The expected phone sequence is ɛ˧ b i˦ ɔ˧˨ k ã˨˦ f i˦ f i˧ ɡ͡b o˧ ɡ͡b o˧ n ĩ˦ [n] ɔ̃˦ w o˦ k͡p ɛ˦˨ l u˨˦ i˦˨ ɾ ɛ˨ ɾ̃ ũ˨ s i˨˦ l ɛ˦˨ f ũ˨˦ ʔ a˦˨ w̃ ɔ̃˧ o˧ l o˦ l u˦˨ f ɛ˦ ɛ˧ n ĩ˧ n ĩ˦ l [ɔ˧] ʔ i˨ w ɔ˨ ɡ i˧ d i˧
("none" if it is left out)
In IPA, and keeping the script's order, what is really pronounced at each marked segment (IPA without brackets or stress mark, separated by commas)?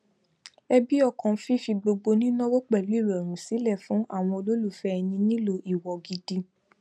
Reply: n, o˧